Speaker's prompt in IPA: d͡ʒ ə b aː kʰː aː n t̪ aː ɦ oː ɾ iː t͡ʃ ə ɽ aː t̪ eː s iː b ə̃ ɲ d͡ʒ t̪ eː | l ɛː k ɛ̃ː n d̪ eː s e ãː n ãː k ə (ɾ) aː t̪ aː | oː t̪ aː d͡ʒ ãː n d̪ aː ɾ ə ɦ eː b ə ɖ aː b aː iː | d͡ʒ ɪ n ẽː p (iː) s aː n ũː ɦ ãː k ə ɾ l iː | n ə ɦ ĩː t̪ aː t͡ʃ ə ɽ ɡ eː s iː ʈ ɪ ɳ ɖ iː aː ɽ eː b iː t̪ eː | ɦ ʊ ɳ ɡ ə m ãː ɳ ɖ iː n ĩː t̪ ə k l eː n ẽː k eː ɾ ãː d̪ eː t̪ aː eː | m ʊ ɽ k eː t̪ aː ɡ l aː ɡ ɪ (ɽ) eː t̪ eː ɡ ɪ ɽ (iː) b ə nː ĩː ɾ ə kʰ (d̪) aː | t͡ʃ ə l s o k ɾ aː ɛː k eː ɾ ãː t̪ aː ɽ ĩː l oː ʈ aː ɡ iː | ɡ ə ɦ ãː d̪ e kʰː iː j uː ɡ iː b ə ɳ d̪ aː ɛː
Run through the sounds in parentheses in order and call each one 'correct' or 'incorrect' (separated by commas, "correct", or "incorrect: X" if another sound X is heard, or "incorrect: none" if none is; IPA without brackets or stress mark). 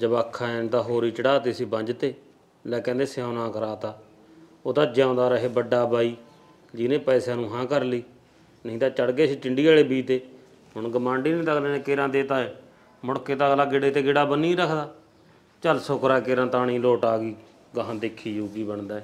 correct, incorrect: ɛː, correct, incorrect: aː, correct